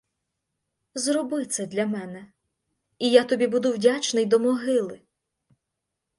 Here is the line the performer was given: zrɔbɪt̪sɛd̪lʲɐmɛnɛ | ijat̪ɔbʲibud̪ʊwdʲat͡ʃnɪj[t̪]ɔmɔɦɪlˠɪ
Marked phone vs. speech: incorrect: d̪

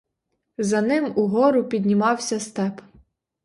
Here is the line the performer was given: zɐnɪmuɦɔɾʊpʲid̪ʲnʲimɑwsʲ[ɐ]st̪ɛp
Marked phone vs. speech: correct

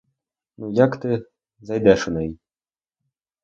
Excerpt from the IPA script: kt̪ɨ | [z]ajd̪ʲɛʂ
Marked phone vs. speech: correct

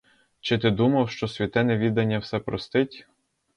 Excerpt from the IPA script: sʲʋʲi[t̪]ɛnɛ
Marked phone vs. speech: correct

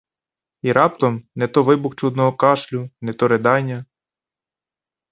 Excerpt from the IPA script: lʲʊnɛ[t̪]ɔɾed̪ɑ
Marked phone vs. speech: correct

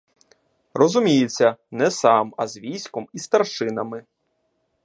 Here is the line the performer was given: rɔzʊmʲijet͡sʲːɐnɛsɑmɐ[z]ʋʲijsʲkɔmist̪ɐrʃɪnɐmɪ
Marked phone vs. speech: correct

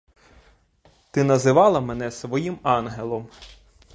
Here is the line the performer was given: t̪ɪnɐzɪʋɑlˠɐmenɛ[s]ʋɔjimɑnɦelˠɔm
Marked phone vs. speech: correct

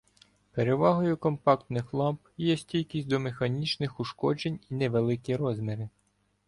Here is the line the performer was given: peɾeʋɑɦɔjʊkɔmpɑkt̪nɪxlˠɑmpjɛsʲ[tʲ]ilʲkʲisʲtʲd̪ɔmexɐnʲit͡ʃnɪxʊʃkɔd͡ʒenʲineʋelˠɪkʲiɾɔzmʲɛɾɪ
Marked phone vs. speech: correct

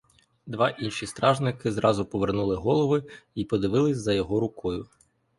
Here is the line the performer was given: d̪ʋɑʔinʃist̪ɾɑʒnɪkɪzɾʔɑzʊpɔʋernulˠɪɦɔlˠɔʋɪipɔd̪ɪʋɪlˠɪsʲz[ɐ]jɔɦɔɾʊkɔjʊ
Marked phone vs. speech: correct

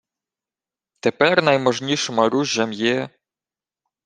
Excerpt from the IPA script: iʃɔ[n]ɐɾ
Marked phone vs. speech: incorrect: m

